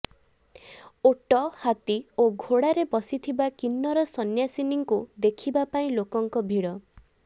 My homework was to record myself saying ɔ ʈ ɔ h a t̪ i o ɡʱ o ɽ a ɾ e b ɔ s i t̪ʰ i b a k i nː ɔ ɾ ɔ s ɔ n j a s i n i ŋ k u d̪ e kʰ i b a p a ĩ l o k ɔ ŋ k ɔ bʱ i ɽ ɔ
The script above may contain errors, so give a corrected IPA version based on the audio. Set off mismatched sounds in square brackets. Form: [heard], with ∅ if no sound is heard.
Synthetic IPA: [o] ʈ ɔ h a t̪ i o ɡʱ o ɽ a ɾ e b ɔ s i t̪ʰ i b a k i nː ɔ ɾ ɔ s ɔ n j a s i n i ŋ k u d̪ e kʰ i b a p a ĩ l o k ɔ ŋ k ɔ bʱ i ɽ ɔ

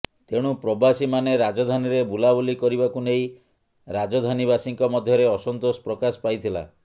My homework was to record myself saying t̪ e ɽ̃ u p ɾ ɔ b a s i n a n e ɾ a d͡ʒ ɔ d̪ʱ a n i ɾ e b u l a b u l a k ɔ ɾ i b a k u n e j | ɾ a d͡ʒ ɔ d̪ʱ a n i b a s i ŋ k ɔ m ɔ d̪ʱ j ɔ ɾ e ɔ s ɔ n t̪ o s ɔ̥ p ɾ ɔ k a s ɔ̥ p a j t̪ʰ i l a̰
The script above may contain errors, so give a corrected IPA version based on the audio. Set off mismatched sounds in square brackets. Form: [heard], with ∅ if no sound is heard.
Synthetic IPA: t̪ e ɽ̃ u p ɾ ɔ b a s i [m] a n e ɾ a d͡ʒ ɔ d̪ʱ a n i ɾ e b u l a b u l [i] k ɔ ɾ i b a k u n e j | ɾ a d͡ʒ ɔ d̪ʱ a n i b a s i ŋ k ɔ m ɔ d̪ʱ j ɔ ɾ e ɔ s ɔ n t̪ o s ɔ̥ p ɾ ɔ k a s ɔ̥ p a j t̪ʰ i l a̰

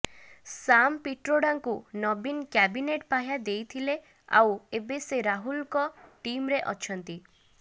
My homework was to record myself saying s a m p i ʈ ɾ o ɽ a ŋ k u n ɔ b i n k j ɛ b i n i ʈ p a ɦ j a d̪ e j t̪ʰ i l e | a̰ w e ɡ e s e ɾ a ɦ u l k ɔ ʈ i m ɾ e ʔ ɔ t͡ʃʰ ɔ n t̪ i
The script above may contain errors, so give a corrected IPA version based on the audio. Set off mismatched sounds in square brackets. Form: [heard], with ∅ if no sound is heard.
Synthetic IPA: s a m p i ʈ ɾ o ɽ a ŋ k u n ɔ b i n k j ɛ b i n [e] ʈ p a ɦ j a d̪ e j t̪ʰ i l e | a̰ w e [b] e s e ɾ a ɦ u l k ɔ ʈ i m ɾ e ʔ ɔ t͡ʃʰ ɔ n t̪ i

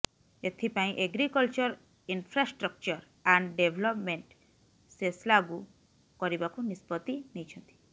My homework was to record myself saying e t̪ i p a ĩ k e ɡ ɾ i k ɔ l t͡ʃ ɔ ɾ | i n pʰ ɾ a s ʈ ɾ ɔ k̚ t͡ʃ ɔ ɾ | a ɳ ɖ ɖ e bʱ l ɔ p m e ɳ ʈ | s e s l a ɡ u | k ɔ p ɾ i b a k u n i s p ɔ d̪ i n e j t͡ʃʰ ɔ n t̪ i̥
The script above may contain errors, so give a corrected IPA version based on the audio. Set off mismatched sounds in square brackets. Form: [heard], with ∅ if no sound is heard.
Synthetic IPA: e [t̪ʰ] i p a ĩ [ʔ] e ɡ ɾ i k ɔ l t͡ʃ ɔ ɾ | i n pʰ ɾ a s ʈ ɾ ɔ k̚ t͡ʃ ɔ ɾ | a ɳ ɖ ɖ e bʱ l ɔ p m e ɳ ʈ | s e s l a ɡ u | k ɔ [∅] ɾ i b a k u n i s p ɔ [t̪] i n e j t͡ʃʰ ɔ n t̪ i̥

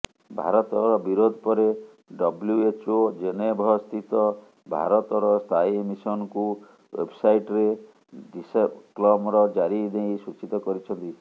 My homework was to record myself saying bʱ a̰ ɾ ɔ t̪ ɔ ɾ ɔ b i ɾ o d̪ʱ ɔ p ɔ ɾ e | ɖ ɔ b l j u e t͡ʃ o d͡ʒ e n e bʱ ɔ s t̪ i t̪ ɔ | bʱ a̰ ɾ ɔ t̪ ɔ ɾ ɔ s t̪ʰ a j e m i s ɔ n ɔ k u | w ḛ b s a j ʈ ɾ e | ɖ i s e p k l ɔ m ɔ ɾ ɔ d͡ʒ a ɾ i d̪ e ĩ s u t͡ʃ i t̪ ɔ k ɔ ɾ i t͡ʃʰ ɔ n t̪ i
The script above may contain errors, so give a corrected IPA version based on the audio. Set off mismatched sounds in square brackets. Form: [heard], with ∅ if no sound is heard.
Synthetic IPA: bʱ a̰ ɾ ɔ t̪ ɔ ɾ ɔ b i ɾ o d̪ʱ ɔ p ɔ ɾ e | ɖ ɔ b l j u e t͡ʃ o d͡ʒ e n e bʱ ɔ s t̪ i t̪ ɔ | bʱ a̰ ɾ ɔ t̪ ɔ ɾ ɔ s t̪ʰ a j e m i s ɔ n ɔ k u | w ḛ b s a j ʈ ɾ e | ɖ i s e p k l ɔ m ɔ ɾ ɔ d͡ʒ a ɾ i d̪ e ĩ s u t͡ʃ i t̪ ɔ k ɔ ɾ i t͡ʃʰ ɔ n t̪ i

